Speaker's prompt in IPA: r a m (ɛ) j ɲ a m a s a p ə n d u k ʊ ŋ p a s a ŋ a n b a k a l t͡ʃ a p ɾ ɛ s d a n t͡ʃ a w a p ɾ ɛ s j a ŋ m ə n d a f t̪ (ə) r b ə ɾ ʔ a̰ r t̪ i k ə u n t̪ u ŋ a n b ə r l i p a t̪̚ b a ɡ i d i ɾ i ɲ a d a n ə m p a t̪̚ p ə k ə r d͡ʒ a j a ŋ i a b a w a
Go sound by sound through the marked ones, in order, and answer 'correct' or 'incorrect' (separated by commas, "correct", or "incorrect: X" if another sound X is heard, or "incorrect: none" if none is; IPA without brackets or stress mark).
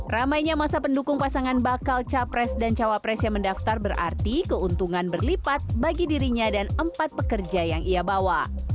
incorrect: a, incorrect: a